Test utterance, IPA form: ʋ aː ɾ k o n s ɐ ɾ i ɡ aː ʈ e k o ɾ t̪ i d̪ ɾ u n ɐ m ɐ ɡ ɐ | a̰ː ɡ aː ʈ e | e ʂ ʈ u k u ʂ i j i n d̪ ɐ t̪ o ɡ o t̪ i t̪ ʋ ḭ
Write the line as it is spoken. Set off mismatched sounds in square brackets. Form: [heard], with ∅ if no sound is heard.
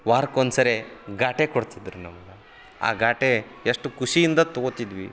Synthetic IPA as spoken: ʋ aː ɾ k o n s ɐ ɾ [e] ɡ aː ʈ e k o [ɽ] t̪ i d̪ ɾ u n ɐ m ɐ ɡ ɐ | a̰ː ɡ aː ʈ e | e ʂ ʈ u k u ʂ i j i n d̪ ɐ t̪ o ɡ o t̪ i [d̪] ʋ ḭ